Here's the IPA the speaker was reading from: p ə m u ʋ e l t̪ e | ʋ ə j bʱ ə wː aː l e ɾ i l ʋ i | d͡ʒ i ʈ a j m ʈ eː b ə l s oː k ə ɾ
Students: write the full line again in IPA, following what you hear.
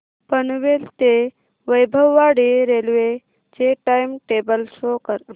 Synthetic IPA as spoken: p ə n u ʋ e l t̪ e | ʋ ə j bʱ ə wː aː ɽ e ɾ e l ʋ e | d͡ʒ e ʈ a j m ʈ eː b ə l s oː k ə ɾ